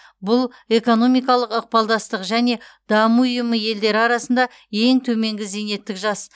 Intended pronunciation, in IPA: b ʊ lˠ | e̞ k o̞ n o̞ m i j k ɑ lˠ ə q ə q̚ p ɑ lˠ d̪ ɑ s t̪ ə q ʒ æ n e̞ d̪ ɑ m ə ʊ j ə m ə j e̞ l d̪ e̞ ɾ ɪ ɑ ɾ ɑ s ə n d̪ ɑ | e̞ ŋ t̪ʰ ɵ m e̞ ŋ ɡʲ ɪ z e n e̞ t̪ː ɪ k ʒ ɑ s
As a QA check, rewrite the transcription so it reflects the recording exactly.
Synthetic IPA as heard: b ʊ lˠ | e̞ k o̞ n o̞ m i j k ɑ lˠ ə q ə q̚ p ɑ lˠ d̪ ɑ s t̪ ə q ʒ æ n e̞ d̪ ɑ m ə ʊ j ə m ə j e̞ l d̪ e̞ ɾ ɪ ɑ ɾ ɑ s ə n d̪ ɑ | e̞ ŋ t̪ʰ ɵ m e̞ ŋ ɡʲ ɪ z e n e̞ t̪ː ɪ k ʒ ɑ s